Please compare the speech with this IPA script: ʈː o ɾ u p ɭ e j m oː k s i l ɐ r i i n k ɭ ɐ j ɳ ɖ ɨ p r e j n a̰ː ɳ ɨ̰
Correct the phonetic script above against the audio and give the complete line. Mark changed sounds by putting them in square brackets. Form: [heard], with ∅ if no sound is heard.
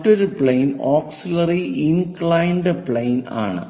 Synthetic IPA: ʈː o ɾ u p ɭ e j [n] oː k s i l ɐ r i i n k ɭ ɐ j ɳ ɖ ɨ p [ɭ] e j n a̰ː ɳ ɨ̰